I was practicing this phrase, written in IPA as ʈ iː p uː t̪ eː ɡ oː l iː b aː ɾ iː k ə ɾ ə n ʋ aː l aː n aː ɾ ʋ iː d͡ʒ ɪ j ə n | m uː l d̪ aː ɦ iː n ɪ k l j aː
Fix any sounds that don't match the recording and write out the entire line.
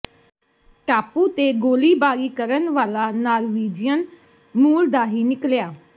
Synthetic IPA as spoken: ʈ aː p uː t̪ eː ɡ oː l iː b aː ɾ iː k ə ɾ ə n ʋ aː l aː n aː ɾ ʋ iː d͡ʒ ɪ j ə n | m uː l d̪ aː ɦ iː n ɪ k l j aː

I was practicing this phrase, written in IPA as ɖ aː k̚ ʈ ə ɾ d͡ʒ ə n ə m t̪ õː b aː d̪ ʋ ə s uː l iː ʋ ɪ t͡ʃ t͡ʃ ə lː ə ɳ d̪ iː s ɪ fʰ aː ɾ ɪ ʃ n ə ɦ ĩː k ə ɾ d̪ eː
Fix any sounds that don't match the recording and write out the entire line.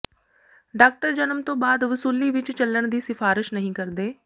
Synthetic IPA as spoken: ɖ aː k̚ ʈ ə ɾ d͡ʒ ə n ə m t̪ õː b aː d̪ ʋ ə s uː l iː ʋ ɪ t͡ʃ t͡ʃ ə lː ə ɳ d̪ iː s ɪ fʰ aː ɾ ɪ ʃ n ə ɦ ĩː k ə ɾ d̪ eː

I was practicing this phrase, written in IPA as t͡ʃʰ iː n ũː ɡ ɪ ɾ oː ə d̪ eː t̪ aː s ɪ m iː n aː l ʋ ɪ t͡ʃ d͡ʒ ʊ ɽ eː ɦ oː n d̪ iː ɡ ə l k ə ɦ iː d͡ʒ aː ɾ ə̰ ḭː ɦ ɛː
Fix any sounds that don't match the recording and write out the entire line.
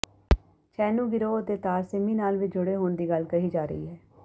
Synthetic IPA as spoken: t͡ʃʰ ɛː n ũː ɡ ɪ ɾ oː ə t̪ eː t̪ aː s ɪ m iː n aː l ʋ ɪ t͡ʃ d͡ʒ ʊ ɽ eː ɦ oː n d̪ iː ɡ ə l k ə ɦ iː d͡ʒ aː ɾ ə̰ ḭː ɦ ɛː

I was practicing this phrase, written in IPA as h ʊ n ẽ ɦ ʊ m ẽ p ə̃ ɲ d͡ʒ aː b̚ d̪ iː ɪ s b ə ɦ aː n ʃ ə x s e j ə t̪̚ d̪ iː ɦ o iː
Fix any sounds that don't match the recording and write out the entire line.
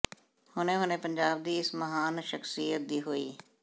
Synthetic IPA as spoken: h ʊ n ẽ ɦ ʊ n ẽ p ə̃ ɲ d͡ʒ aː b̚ d̪ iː ɪ s m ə ɦ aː n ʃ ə x s i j ə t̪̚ d̪ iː ɦ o iː

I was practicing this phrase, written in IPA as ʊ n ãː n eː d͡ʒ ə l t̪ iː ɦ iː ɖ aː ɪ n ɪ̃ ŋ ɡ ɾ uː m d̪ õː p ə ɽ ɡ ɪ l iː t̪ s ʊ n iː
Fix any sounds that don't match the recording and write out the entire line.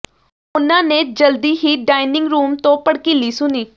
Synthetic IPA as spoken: ʊ n ãː n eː d͡ʒ ə l d̪ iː ɦ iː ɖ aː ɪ n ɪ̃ ŋ ɡ ɾ uː m t̪ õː p ə ɽ k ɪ l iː s ʊ n iː

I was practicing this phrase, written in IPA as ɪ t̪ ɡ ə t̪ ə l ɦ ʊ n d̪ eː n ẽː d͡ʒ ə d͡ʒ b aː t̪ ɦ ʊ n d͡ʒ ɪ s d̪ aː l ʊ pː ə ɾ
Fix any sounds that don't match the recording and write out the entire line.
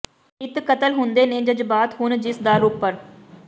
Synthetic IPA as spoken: ɪ t̪ k ə t̪ ə l ɦ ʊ n d̪ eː n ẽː d͡ʒ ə d͡ʒ b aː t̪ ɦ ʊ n d͡ʒ ɪ s d̪ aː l ʊ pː ə ɾ

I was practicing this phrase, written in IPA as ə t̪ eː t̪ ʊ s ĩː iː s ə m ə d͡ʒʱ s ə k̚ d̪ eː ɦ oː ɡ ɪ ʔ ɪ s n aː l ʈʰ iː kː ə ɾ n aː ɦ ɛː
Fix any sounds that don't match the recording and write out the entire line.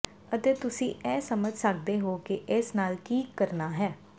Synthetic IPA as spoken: ə t̪ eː t̪ ʊ s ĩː ɛː s ə m ə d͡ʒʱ s ə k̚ d̪ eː ɦ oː k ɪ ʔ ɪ s n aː l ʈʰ iː kː ə ɾ n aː ɦ ɛː

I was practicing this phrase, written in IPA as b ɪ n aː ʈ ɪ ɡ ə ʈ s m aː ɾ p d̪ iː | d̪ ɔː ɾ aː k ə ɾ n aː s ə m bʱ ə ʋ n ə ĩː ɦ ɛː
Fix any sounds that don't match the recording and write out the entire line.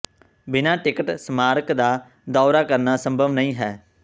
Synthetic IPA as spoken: b ɪ n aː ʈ ɪ k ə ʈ s m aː ɾ k d̪ aː | d̪ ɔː ɾ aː k ə ɾ n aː s ə m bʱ ə ʋ n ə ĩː ɦ ɛː

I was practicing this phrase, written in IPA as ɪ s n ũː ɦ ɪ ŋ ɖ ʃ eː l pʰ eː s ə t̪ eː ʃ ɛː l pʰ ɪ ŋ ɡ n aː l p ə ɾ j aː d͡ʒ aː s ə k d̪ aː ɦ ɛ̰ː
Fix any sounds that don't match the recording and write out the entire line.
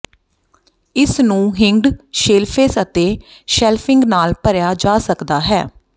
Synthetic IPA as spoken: ɪ s n ũː ɦ ɪ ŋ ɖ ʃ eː l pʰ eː s ə t̪ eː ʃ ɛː l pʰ ɪ ŋ ɡ n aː l p ə ɾ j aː d͡ʒ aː s ə k d̪ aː ɦ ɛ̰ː

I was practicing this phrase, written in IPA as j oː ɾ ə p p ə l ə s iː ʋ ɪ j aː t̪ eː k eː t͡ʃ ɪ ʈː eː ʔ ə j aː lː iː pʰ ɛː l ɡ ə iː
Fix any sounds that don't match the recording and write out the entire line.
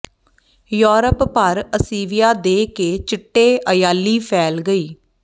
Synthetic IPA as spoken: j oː ɾ ə p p ə ɾ ə s iː ʋ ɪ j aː d̪ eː k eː t͡ʃ ɪ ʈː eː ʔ ə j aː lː iː pʰ ɛː l ɡ ə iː

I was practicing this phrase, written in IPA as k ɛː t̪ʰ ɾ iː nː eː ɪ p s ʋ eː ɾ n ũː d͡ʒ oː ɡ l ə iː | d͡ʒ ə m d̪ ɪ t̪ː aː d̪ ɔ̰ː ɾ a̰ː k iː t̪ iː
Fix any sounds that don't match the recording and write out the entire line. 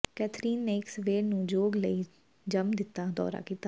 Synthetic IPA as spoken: k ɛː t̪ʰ ɾ iː nː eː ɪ k s ʋ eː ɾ n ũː d͡ʒ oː ɡ l ə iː | d͡ʒ ə m d̪ ɪ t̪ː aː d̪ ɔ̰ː ɾ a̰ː k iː t̪ aː

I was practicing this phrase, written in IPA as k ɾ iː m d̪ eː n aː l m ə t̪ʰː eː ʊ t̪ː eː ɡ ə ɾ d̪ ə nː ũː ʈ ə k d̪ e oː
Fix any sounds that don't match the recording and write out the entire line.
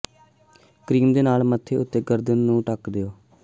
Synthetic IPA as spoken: k ɾ iː m d̪ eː n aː l m ə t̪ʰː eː ʊ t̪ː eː ɡ ə ɾ d̪ ə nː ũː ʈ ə k d̪ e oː

